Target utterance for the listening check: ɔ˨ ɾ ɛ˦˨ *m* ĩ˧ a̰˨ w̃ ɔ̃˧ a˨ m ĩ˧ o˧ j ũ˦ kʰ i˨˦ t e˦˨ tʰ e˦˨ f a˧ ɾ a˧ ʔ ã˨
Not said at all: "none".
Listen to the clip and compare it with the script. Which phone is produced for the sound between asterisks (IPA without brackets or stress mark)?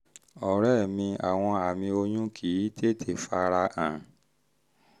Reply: m